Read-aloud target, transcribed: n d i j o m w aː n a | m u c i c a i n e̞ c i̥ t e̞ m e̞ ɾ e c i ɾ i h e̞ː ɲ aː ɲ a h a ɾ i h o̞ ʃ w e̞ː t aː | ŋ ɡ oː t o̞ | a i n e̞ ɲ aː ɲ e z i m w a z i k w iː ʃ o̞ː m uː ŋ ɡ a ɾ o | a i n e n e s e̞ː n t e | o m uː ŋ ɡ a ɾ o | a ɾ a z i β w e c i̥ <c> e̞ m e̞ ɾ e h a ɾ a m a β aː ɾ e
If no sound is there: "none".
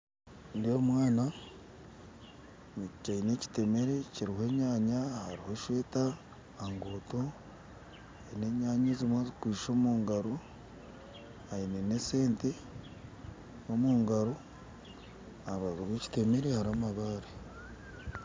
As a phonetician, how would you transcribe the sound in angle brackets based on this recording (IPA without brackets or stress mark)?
t